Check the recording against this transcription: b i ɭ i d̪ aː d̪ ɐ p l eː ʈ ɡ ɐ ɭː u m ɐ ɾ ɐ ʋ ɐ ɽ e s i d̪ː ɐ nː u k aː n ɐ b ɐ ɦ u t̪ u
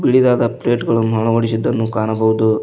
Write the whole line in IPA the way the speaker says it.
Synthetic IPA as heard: b i ɭ i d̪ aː d̪ ɐ p l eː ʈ ɡ ɐ ɭ u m ɐ ɭ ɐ ʋ ɐ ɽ i s i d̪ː ɐ nː u k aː n ɐ b ɐ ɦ u d̪ u

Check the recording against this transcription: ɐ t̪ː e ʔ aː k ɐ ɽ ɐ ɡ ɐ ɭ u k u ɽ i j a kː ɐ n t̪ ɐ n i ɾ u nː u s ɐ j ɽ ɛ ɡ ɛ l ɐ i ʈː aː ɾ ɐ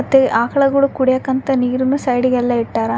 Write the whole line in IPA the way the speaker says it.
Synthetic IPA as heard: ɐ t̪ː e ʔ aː k ɐ ɭ ɐ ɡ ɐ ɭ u k u ɽ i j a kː ɐ n t̪ ɐ n iː ɾ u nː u s ɐ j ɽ i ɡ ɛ lː ɐ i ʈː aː ɾ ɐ

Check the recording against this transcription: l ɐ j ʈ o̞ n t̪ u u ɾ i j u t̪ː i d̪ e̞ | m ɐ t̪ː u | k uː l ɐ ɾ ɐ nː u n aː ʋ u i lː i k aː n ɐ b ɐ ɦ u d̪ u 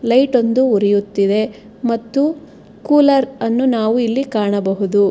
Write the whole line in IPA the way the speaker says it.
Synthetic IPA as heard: l ɐ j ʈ o̞ n d̪ u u ɾ i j u t̪ː i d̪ e̞ | m ɐ t̪ː u | k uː l ɐ ɾ ɐ nː u n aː ʋ u i lː i k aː ɳ ɐ b ɐ ɦ u d̪ u

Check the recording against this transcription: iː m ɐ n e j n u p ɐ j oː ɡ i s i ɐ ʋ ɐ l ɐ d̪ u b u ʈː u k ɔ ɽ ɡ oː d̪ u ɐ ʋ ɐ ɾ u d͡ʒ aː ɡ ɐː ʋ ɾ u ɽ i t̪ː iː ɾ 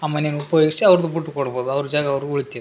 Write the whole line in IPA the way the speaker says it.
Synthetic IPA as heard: aː m ɐ n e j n u p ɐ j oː ɡ i s i ɐ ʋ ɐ ɾ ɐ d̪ u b u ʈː u k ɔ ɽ b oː d̪ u ɐ ʋ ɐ ɾ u d͡ʒ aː ɡ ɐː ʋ ɾ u ɭ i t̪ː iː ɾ

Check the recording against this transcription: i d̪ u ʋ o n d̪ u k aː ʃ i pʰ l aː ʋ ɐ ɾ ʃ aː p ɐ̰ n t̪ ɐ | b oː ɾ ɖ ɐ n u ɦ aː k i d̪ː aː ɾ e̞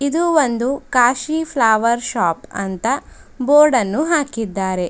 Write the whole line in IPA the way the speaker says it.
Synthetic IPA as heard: i d̪ u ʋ o n d̪ u k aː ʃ i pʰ l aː ʋ ɐ ɾ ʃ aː p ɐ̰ n t̪ ɐ | b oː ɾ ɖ ɐ nː u ɦ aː k i d̪ː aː ɾ e̞

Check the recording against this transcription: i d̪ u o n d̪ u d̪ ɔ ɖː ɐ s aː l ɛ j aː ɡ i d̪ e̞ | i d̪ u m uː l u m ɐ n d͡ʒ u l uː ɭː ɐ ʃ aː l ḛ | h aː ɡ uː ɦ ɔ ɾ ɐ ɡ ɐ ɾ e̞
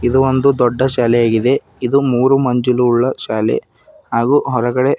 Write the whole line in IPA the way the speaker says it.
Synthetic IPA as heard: i d̪ u o n d̪ u d̪ ɔ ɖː ɐ ʃ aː l ɛ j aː ɡ i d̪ e̞ | i d̪ u m uː ɾ u m ɐ ɲ d͡ʒ u l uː ɭː ɐ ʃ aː l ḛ | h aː ɡ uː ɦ ɔ ɾ ɐ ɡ ɐ ɽ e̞

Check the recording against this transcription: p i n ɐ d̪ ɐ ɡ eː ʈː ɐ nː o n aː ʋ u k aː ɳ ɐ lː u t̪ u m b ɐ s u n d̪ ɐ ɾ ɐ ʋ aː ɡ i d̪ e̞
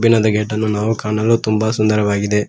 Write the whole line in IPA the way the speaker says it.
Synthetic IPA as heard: b i n ɐ d̪ ɐ ɡ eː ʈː ɐ nː u n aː ʋ u k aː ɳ ɐ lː u t̪ u m b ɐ s u n d̪ ɐ ɾ ɐ ʋ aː ɡ i d̪ e̞

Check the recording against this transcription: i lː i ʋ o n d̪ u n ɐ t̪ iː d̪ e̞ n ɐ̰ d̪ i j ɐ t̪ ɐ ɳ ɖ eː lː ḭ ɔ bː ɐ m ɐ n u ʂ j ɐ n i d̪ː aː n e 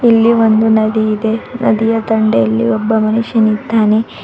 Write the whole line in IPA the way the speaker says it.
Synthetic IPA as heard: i lː i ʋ o n d̪ u n ɐ d̪ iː d̪ e̞ n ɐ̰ d̪ i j ɐ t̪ ɐ ɳ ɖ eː lː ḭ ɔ bː ɐ m ɐ n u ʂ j ɐ n i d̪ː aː n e

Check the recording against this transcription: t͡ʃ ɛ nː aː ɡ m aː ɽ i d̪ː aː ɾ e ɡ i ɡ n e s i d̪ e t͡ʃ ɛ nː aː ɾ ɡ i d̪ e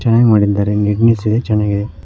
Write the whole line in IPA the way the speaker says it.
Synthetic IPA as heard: t͡ʃ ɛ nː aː ɡ m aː ɽ i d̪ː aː ɾ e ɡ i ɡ n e s i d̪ e t͡ʃ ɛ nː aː ɡ i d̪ e

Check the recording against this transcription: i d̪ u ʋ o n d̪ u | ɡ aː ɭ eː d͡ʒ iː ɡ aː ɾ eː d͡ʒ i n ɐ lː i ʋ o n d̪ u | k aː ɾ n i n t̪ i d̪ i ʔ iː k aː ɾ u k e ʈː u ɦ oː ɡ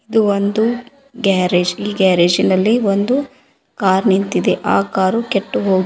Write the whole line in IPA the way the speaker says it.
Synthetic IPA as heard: i d̪ u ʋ o n d̪ u | ɡ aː ɾ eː d͡ʒ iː ɡ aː ɾ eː d͡ʒ i n ɐ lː i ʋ o n d̪ u | k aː ɾ n i n t̪ i d̪ e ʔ aː k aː ɾ u k e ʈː u ɦ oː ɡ

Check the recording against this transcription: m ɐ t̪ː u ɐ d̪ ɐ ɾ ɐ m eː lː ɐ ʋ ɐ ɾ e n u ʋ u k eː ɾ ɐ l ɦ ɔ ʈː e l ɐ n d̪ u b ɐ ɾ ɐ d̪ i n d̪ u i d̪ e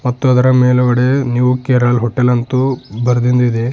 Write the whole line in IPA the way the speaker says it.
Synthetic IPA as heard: m ɐ t̪ː u ɐ d̪ ɐ ɾ ɐ m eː l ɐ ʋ ɐ ɽ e n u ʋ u k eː ɾ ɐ l ɦ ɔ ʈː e l ɐ n t̪ u b ɐ ɾ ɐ d̪ i n d̪ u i d̪ e

